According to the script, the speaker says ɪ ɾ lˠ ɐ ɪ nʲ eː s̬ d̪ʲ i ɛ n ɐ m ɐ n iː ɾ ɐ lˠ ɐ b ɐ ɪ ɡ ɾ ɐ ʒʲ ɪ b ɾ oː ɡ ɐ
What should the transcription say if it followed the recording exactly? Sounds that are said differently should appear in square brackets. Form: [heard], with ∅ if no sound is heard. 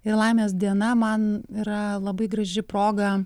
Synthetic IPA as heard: ɪ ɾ lˠ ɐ ɪ [mʲ] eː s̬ d̪ʲ i ɛ n ɐ m ɐ n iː ɾ ɐ lˠ ɐ b ɐ ɪ ɡ ɾ ɐ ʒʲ ɪ [p] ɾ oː ɡ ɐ